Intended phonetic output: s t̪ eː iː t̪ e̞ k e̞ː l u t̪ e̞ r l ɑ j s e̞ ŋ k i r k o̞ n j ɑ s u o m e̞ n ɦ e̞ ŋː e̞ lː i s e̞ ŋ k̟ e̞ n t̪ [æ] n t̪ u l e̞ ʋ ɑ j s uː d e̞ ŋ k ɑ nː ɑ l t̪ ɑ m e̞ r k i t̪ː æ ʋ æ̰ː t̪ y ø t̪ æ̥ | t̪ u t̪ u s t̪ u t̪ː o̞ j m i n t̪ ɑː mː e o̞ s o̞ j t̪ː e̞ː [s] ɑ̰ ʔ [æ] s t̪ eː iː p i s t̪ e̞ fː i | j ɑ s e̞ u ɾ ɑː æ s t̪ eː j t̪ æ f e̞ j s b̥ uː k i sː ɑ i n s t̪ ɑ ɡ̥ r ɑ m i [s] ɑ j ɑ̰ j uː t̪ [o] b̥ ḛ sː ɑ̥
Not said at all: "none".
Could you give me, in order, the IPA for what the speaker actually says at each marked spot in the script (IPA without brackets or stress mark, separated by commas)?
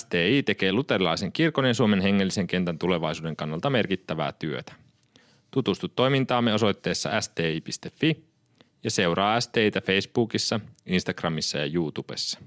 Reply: æ, sː, æ, sː, u